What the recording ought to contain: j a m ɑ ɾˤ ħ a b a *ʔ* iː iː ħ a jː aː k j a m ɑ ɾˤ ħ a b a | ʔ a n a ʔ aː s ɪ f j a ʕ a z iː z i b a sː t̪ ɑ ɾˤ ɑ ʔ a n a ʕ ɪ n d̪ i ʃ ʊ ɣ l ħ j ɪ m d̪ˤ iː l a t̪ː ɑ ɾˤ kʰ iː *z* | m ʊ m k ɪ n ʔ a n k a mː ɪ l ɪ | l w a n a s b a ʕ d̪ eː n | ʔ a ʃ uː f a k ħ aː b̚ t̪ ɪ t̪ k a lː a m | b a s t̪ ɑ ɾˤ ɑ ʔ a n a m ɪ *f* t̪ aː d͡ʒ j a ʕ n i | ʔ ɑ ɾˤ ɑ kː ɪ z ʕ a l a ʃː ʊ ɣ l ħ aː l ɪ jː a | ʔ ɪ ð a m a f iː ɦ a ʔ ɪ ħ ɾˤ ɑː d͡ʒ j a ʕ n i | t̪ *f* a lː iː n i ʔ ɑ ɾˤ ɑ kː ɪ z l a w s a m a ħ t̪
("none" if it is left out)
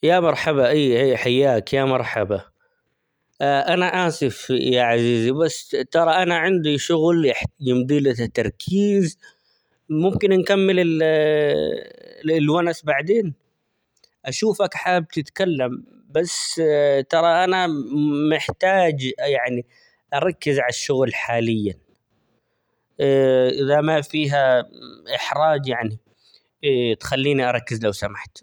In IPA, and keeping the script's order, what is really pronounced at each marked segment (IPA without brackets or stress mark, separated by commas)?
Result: ʔ, z, ħ, x